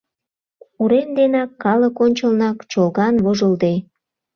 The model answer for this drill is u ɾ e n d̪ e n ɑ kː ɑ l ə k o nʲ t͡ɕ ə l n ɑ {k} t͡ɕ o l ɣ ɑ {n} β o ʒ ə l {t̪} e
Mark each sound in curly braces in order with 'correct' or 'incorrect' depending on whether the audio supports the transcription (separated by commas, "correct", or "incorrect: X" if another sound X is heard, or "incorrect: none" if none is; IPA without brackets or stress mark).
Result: correct, correct, incorrect: d̪